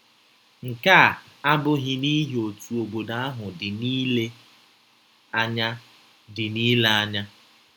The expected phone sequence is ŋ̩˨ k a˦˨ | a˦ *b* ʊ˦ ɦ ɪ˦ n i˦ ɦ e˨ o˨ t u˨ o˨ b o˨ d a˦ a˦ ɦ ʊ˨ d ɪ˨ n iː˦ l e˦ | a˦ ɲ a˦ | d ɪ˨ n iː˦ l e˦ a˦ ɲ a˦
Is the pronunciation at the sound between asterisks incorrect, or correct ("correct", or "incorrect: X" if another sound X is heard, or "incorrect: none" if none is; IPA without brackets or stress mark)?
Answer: correct